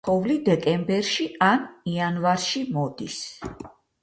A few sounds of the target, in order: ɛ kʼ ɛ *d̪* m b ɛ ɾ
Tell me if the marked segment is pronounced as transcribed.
no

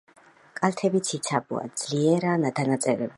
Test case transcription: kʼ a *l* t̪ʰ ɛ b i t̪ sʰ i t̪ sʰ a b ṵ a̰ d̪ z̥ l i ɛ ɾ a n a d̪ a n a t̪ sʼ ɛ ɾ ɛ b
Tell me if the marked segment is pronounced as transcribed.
yes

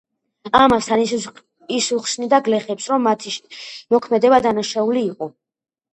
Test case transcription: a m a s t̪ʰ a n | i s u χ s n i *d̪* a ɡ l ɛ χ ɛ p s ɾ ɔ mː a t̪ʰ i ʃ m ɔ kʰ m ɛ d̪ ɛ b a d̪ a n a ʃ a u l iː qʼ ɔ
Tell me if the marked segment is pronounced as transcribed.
yes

